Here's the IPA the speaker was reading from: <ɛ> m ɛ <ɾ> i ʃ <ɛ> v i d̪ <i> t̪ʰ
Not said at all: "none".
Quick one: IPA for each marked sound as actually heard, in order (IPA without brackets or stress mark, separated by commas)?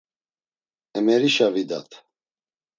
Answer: ɛ, ɾ, a, a